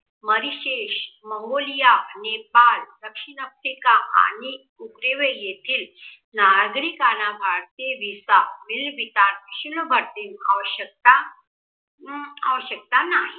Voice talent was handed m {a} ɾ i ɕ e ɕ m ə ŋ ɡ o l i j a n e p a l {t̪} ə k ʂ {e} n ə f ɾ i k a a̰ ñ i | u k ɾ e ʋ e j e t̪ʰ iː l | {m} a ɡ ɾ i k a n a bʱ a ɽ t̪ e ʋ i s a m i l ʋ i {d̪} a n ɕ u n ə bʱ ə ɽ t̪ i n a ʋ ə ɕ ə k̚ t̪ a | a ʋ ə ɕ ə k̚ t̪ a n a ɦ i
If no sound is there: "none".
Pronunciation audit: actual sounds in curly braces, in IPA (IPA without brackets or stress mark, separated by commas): ə, d̪, i, n, t̪